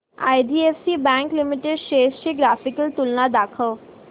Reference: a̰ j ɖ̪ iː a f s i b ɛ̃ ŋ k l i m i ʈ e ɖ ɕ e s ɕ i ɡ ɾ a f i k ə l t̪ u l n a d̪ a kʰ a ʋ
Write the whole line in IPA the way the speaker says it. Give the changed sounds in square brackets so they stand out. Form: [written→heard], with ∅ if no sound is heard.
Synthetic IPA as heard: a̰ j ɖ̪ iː [a→e] f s i b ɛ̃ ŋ k l i m i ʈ e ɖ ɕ e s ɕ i ɡ ɾ a f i k ə l t̪ u l n a d̪ a kʰ [a→ə] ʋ